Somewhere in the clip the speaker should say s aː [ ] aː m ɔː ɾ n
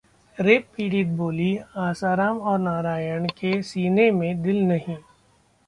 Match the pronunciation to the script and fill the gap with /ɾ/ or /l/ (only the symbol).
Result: ɾ